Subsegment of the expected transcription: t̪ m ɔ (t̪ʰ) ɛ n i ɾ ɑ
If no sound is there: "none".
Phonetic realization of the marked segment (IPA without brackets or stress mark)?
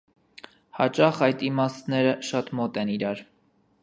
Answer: t̪